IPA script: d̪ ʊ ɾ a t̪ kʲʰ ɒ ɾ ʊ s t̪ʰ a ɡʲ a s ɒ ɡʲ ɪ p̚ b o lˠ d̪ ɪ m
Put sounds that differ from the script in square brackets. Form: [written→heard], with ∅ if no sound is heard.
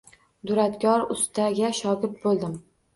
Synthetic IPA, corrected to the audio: d̪ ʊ ɾ a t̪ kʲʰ ɒ ɾ ʊ s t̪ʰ a ɡʲ a [s→ʃ] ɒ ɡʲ ɪ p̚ b o lˠ d̪ ɪ m